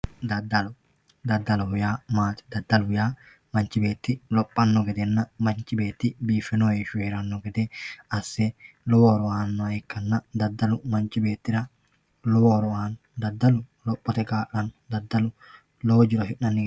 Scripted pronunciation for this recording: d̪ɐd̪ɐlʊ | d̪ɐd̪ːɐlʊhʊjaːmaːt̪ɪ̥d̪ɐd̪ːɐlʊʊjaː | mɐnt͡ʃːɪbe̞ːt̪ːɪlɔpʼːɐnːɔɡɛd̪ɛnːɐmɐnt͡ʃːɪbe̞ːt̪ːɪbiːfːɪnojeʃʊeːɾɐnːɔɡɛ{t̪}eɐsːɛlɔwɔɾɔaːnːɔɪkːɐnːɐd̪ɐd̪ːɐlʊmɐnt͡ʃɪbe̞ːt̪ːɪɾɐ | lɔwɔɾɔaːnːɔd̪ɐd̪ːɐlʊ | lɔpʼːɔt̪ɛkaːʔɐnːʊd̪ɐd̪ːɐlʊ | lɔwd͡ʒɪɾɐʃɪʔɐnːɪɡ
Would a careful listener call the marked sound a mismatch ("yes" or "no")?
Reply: yes